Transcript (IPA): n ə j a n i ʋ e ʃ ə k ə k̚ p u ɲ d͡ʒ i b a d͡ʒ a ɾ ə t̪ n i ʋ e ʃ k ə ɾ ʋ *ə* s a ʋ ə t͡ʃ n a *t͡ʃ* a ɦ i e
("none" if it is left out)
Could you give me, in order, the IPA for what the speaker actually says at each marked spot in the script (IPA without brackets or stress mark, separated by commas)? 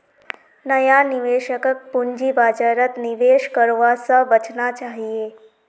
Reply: a, t͡ʃ